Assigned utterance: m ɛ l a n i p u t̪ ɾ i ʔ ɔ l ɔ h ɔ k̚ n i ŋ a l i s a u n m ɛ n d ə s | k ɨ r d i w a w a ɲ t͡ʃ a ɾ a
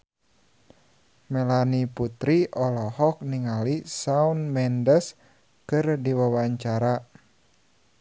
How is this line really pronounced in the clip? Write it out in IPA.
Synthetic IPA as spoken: m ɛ l a n i p u t̪ ɾ i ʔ ɔ l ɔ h ɔ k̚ n i ŋ a l i s a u n m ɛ n d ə s | k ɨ r d i w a w a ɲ t͡ʃ a ɾ a